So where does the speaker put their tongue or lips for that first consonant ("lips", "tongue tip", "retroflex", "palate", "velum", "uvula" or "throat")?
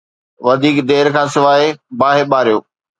lips